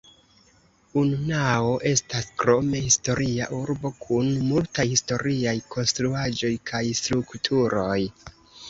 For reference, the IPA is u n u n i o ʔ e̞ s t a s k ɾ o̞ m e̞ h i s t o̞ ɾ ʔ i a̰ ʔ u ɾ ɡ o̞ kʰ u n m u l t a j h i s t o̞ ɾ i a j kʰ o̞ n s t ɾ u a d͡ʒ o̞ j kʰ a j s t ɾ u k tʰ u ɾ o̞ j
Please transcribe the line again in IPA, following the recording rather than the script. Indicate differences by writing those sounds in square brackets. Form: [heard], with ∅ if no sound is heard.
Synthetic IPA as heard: u n u n [a] o ʔ e̞ s t a s k ɾ o̞ m e̞ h i s t o̞ ɾ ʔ i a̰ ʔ u ɾ [b] o̞ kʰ u n m u l t a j h i s t o̞ ɾ i a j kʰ o̞ n s t ɾ u a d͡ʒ o̞ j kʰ a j s t ɾ u k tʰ u ɾ o̞ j